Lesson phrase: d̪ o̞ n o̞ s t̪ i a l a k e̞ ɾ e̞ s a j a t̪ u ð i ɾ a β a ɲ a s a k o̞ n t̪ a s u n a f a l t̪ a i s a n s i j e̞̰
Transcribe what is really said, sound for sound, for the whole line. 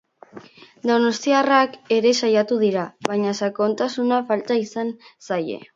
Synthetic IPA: d̪ o̞ n o̞ s t̪ i a r a k e̞ ɾ e̞ s a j a t̪ u ð i ɾ a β a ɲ a s a k o̞ n t̪ a s u n a f a l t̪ a i s a n s a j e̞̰